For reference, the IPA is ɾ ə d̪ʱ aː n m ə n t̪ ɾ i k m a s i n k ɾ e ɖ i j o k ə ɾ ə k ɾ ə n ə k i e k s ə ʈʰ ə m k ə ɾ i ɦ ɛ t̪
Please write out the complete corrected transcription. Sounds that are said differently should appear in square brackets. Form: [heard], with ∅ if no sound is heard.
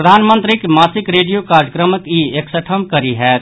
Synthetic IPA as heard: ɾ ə d̪ʱ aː n m ə n t̪ ɾ i k m a s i [∅] k ɾ e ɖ i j o k [a] ɾ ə k ɾ ə [m] ə k i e k s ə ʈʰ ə m k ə ɾ i ɦ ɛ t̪